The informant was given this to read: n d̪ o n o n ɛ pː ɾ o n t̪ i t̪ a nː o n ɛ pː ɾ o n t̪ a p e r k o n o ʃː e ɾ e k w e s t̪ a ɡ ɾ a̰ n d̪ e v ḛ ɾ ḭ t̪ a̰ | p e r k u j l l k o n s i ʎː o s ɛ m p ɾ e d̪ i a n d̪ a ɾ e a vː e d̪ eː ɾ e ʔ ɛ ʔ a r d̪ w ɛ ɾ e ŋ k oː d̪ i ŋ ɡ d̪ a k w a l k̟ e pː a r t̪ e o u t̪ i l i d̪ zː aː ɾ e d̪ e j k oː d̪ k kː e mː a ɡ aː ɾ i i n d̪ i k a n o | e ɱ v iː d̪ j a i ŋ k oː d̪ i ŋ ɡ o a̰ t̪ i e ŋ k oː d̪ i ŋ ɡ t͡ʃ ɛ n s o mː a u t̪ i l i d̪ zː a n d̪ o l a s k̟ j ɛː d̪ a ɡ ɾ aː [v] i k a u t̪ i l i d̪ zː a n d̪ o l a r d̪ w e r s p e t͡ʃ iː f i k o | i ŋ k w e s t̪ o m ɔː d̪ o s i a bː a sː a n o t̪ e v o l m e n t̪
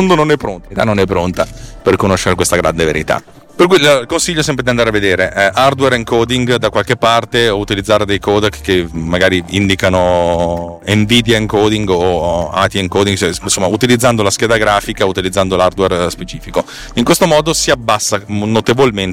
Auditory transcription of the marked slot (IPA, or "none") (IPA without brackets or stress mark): f